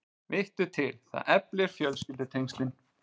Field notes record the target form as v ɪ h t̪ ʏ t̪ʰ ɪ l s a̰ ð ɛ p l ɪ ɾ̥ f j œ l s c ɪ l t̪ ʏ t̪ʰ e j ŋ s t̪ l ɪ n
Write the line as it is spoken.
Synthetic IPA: v ɪ h t̪ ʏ t̪ʰ ɪ l θ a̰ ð ɛ p l ɪ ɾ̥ f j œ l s c ɪ l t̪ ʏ t̪ʰ e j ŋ s t̪ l ɪ n